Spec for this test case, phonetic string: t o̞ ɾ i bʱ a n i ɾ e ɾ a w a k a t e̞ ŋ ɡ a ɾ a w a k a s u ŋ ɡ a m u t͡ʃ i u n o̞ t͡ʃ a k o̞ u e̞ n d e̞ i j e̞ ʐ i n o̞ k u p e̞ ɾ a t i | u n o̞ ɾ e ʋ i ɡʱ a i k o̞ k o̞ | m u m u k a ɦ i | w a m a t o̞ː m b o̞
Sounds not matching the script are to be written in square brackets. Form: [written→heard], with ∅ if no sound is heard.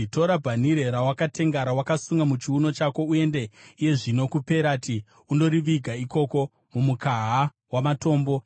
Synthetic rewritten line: t o̞ ɾ [i→a] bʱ a n i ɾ e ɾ a w a k a t e̞ ŋ ɡ a ɾ a w a k a s u ŋ ɡ a m u t͡ʃ i u n o̞ t͡ʃ a k o̞ u e̞ n d e̞ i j e̞ ʐ i n o̞ k u p e̞ ɾ a t i | u n o̞ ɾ [e→i] ʋ i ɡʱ a i k o̞ k o̞ | m u m u k a ɦ [i→a] | w a m a t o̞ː m b o̞